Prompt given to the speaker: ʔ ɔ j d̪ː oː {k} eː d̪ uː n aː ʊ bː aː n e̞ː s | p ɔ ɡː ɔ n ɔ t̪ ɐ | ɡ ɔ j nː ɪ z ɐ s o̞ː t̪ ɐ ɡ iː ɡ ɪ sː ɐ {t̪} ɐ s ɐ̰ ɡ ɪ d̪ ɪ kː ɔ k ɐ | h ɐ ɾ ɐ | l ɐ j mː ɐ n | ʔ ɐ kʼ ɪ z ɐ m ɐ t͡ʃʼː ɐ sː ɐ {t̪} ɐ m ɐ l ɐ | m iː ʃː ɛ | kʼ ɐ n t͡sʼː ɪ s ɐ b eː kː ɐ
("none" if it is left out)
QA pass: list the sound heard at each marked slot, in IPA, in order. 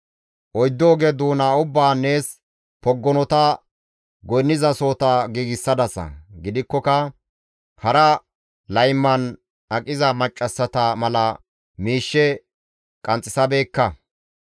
ɡ, d̪, t̪

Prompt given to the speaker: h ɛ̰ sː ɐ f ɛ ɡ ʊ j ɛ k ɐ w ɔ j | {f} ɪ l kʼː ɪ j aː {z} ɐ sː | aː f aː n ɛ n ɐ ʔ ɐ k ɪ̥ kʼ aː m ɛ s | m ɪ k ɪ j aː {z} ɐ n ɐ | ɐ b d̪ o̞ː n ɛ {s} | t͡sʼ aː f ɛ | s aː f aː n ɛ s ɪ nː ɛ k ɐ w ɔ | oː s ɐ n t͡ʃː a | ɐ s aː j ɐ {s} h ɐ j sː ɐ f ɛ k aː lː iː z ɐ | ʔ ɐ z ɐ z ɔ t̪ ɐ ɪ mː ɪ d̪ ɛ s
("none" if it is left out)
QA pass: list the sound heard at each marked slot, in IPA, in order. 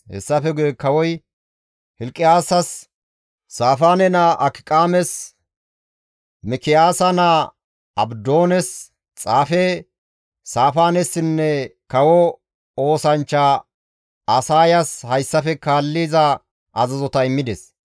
h, s, s, s, s

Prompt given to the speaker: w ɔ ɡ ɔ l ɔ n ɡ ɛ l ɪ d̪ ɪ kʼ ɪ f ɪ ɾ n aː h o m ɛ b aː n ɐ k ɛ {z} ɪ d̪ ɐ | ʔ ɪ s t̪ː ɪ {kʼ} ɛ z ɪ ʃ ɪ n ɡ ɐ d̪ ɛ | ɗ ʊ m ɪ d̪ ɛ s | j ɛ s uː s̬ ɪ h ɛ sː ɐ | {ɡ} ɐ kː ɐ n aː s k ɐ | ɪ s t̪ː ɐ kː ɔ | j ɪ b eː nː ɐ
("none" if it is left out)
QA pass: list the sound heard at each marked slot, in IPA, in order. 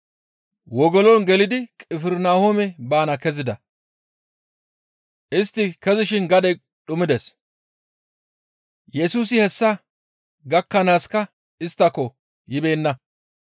z, k, ɡ

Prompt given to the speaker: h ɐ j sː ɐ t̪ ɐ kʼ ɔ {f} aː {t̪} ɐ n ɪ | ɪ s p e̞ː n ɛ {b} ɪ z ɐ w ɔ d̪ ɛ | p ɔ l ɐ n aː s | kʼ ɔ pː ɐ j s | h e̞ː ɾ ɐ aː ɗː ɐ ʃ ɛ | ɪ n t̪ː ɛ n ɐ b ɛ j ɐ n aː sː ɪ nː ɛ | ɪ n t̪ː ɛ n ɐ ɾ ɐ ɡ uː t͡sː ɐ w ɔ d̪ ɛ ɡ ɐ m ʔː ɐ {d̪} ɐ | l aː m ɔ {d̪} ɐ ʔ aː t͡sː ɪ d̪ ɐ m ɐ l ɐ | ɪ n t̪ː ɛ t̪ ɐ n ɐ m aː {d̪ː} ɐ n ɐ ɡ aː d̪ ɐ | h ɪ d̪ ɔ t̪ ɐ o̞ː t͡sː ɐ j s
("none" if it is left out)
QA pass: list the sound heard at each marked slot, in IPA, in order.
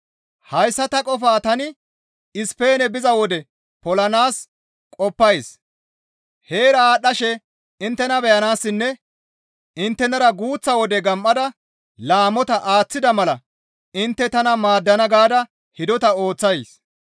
f, t̪, b, d̪, t̪, d̪ː

